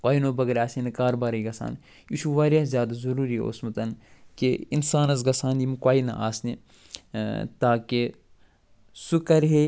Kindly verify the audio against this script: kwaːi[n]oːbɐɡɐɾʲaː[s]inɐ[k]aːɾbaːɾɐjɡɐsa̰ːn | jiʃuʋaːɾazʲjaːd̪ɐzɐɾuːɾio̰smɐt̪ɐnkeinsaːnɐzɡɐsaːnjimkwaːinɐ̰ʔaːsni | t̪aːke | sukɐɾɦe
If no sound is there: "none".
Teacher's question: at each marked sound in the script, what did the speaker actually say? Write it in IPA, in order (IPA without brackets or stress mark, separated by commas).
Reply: n, s, k